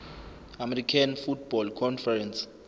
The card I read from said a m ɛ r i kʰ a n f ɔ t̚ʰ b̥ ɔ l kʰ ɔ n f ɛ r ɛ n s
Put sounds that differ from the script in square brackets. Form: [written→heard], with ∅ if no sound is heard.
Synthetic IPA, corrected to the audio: a m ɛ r i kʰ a n f [ɔ→u] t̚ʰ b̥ ɔ l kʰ ɔ n f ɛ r ɛ n s